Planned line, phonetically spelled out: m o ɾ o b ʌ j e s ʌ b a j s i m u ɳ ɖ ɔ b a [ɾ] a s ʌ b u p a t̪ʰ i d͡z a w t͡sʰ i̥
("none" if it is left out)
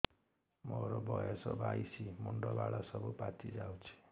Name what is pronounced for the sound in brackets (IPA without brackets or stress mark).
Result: ɽ